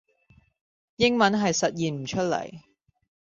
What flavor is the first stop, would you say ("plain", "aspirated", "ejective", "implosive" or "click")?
plain